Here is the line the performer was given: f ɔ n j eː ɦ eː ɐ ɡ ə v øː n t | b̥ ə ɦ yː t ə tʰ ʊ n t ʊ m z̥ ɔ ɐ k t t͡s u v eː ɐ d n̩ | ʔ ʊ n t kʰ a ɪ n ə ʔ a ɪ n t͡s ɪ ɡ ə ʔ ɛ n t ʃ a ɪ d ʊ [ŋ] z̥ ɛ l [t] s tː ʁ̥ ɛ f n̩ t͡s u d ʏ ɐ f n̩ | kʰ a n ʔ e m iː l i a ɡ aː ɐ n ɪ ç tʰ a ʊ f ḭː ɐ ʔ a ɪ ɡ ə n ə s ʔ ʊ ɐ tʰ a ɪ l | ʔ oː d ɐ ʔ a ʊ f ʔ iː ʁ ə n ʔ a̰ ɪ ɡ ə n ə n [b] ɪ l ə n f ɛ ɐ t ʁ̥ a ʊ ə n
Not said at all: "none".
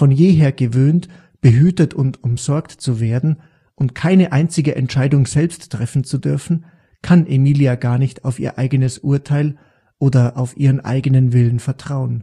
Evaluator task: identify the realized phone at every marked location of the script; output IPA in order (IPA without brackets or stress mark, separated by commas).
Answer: ŋ, p, v